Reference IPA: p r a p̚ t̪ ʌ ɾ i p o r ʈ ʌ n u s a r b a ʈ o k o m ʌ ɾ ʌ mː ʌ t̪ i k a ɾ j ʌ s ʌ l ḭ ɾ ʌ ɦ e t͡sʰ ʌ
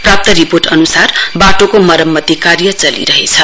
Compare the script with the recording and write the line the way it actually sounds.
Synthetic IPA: p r a p̚ t̪ ʌ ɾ i p o r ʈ ʌ n u s a r b a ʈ o k o m ʌ ɾ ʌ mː ʌ t̪ i k a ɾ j ʌ t͡s ʌ l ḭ ɾ ʌ ɦ e t͡sʰ ʌ